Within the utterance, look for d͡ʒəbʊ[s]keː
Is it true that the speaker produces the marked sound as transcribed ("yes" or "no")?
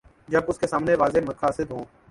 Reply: yes